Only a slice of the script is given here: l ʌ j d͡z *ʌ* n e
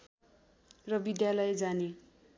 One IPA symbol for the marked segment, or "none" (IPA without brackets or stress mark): a